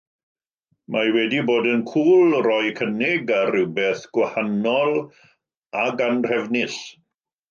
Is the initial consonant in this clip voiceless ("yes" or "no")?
no